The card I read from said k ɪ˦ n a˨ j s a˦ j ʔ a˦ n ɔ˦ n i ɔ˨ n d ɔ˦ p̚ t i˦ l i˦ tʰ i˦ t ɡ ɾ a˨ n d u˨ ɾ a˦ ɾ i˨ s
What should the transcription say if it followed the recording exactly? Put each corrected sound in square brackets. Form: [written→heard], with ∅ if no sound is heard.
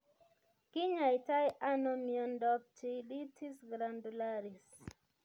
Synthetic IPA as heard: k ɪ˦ [n→ɲ] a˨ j [s→t] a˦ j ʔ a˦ n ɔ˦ [n→m] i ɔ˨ n d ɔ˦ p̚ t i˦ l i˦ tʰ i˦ [t→s] ɡ ɾ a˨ n d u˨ [ɾ→l] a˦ ɾ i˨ s